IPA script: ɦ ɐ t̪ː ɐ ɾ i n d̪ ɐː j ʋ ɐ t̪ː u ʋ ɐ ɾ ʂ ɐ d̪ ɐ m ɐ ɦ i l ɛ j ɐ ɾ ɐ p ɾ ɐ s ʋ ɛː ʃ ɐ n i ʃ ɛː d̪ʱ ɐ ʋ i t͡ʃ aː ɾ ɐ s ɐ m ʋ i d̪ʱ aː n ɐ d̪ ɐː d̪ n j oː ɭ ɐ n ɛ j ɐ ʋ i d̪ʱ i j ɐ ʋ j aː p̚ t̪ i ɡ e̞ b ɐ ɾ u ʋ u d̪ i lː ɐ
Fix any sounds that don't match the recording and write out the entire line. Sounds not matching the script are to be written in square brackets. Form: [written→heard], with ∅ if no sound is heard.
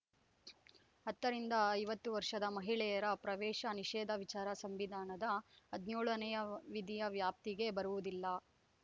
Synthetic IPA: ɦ ɐ t̪ː ɐ ɾ i n d̪ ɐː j ʋ ɐ t̪ː u ʋ ɐ ɾ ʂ ɐ d̪ ɐ m ɐ ɦ i [l→ɭ] ɛ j ɐ ɾ ɐ p ɾ ɐ [s→∅] ʋ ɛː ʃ ɐ n i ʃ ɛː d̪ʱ ɐ ʋ i t͡ʃ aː ɾ ɐ s ɐ m ʋ i d̪ʱ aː n ɐ d̪ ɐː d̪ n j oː ɭ ɐ n ɛ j ɐ ʋ i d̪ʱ i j ɐ ʋ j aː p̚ t̪ i ɡ e̞ b ɐ ɾ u ʋ u d̪ i lː ɐ

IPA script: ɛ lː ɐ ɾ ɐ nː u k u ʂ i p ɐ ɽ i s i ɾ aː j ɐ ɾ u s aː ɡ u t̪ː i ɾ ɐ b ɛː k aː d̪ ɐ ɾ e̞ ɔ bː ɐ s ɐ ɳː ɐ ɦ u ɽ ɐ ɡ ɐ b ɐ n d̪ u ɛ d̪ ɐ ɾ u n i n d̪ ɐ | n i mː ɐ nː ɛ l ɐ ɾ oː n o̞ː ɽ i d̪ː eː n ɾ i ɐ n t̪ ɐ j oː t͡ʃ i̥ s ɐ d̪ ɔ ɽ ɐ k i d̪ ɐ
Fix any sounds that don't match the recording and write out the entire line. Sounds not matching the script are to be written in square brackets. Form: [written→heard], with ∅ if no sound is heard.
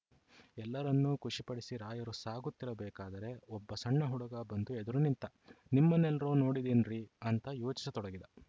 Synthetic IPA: ɛ lː ɐ ɾ ɐ nː u k u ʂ i p ɐ ɽ i s i ɾ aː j ɐ ɾ u s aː ɡ u t̪ː i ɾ ɐ b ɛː k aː d̪ ɐ ɾ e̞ ɔ bː ɐ s ɐ ɳː ɐ ɦ u ɽ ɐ ɡ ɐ b ɐ n d̪ u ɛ d̪ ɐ ɾ u n i n [d̪→t̪] ɐ | n i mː ɐ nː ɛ l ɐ ɾ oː n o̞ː ɽ i [d̪ː→d̪] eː n ɾ i ɐ n t̪ ɐ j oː t͡ʃ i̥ s ɐ [d̪→t̪] ɔ ɽ ɐ [k→ɡ] i d̪ ɐ

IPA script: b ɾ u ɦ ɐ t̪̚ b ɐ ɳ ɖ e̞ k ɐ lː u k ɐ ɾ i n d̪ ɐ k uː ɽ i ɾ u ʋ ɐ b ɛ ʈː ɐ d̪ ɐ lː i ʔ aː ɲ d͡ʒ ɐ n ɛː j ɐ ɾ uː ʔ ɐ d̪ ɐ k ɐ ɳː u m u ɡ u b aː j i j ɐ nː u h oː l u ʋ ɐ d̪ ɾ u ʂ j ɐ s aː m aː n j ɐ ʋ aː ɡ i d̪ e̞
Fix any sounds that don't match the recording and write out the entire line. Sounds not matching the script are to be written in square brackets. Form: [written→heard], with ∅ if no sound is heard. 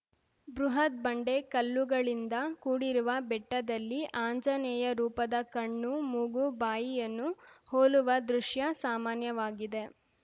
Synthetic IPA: b ɾ u ɦ ɐ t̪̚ b ɐ ɳ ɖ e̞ k ɐ lː u [k→ɡ] ɐ [ɾ→ɭ] i n d̪ ɐ k uː ɽ i ɾ u ʋ ɐ b ɛ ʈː ɐ d̪ ɐ lː i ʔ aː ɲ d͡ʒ ɐ n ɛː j ɐ ɾ uː [ʔ→p] ɐ d̪ ɐ k ɐ ɳː u m u ɡ u b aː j i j ɐ nː u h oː l u ʋ ɐ d̪ ɾ u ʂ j ɐ s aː m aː n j ɐ ʋ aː ɡ i d̪ e̞

